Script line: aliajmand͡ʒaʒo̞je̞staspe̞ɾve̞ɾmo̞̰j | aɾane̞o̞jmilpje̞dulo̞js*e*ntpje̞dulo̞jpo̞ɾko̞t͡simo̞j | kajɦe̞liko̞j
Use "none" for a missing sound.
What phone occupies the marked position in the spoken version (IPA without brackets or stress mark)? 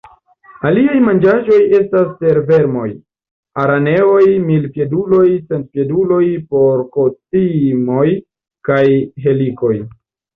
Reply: e